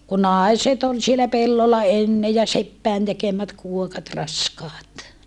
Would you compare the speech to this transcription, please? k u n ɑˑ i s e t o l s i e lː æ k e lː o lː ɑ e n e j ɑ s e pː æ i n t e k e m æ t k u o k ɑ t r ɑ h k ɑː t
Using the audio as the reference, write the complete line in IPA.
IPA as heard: k u n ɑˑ i s e t o l s i e l æ p e lː o lː ɑ e nː e j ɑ s e pː æ i n t e k e m æ t k u o k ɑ t r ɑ s k ɑː t